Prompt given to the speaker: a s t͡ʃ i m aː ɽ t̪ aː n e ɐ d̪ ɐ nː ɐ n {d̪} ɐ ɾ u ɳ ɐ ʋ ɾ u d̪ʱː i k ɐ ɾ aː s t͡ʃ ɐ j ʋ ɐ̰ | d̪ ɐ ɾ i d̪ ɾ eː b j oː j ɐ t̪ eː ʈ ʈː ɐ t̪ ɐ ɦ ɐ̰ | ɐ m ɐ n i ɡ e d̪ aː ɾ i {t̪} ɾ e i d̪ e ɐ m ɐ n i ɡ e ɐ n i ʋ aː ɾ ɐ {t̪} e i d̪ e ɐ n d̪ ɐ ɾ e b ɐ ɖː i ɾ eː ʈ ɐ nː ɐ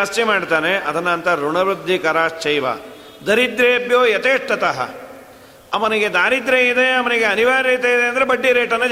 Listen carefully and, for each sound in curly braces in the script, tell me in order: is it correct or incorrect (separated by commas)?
incorrect, incorrect, correct